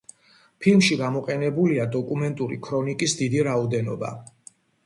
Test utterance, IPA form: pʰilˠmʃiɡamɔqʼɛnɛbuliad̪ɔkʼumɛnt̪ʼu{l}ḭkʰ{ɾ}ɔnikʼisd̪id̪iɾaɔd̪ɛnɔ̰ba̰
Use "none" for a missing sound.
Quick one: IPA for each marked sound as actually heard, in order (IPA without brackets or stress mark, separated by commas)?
ɾ, ɾ